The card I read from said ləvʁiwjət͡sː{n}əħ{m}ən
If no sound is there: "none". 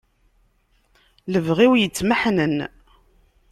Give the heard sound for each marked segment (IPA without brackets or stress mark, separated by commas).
m, n